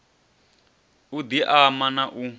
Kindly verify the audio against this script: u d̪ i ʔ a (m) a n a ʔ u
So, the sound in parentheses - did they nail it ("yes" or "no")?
yes